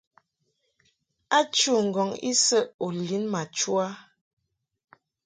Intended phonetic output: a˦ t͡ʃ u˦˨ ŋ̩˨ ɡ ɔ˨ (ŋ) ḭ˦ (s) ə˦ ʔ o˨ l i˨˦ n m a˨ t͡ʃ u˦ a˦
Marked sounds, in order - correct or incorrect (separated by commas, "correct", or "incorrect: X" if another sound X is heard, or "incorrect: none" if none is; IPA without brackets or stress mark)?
correct, correct